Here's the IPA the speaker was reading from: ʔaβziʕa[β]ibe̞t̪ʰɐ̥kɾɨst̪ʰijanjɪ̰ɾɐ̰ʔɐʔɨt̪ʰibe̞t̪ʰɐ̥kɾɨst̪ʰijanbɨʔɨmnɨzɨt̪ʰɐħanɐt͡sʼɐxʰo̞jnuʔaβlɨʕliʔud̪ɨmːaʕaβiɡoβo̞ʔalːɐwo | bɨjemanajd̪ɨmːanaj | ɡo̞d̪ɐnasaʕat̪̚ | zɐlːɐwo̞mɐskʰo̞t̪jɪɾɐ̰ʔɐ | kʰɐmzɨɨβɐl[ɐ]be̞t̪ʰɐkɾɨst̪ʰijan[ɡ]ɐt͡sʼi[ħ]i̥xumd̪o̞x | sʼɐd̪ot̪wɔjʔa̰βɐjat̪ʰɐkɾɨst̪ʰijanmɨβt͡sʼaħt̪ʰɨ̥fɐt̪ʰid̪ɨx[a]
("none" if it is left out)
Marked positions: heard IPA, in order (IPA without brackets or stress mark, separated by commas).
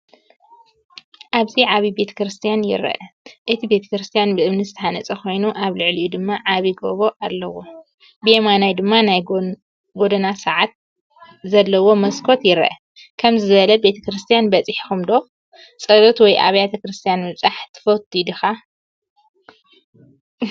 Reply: β, ɐ, b, ħ, a